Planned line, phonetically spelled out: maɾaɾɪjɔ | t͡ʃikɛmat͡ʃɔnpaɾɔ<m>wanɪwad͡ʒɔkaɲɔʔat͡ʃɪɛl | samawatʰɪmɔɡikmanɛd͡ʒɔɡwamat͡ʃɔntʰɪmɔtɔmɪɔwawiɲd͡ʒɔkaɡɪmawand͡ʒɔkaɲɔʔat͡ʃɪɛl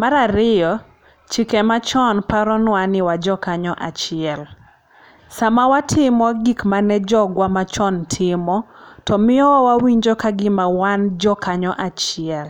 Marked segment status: incorrect: n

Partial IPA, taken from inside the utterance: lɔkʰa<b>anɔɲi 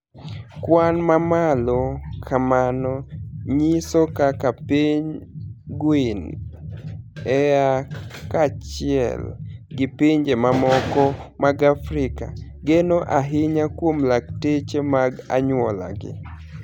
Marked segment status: incorrect: m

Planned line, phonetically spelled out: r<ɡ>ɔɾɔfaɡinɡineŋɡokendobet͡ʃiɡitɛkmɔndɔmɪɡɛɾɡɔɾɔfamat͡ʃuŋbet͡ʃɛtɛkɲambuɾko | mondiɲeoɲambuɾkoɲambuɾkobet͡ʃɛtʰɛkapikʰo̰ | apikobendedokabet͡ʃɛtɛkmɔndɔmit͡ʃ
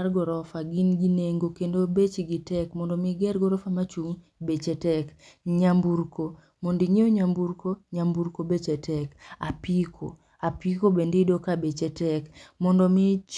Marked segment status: correct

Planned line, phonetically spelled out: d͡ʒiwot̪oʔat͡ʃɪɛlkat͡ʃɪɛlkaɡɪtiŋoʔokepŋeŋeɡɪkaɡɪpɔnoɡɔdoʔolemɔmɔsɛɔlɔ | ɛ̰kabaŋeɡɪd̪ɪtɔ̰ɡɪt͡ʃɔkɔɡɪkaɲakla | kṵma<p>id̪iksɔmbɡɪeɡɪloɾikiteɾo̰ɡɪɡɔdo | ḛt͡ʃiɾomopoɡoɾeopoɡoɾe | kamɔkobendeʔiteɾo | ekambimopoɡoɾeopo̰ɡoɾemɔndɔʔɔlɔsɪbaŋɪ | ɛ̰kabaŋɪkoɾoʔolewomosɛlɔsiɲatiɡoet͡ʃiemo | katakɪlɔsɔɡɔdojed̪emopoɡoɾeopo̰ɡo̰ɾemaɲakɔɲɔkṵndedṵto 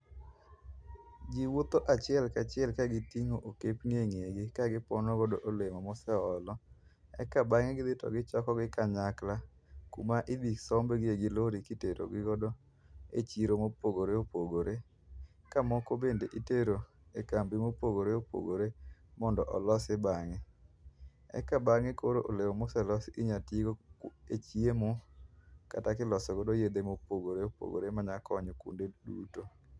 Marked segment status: incorrect: ʔ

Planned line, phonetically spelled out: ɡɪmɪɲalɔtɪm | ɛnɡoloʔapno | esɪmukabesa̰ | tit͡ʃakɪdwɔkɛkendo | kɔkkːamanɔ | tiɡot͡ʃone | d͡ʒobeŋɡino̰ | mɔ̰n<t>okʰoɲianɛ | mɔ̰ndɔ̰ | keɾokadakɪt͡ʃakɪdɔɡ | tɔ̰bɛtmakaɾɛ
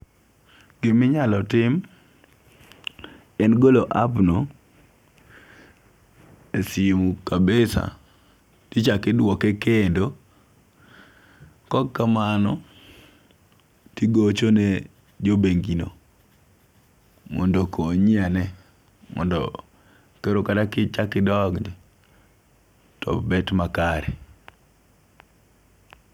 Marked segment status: incorrect: d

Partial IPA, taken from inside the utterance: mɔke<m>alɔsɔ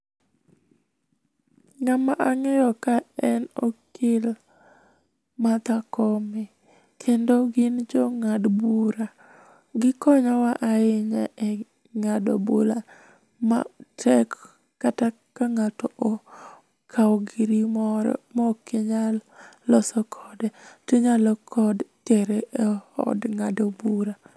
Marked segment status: incorrect: ɲ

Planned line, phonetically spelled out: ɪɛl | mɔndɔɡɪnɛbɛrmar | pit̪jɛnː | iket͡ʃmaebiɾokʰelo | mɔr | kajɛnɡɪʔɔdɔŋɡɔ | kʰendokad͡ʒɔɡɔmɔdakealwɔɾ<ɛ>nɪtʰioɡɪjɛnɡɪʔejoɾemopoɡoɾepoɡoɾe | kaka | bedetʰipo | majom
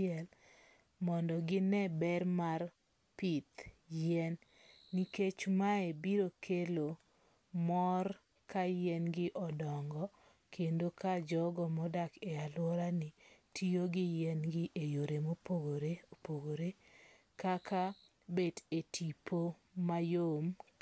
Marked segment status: incorrect: a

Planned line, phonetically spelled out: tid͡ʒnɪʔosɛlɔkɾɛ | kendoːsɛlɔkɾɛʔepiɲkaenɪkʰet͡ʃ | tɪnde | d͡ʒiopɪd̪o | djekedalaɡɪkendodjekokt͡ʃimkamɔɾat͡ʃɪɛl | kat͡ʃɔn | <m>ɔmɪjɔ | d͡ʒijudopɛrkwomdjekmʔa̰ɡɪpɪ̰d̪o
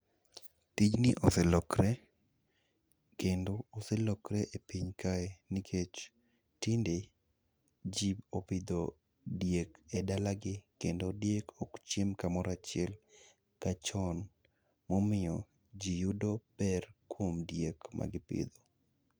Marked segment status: correct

